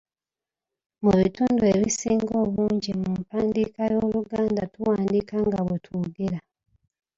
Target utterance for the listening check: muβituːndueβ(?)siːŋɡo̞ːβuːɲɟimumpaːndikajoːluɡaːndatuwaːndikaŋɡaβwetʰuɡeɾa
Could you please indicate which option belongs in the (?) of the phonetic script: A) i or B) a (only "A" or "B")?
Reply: A